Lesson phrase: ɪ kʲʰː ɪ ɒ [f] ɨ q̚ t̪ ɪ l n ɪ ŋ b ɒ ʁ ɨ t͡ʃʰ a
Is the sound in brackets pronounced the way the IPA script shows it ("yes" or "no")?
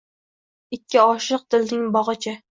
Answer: no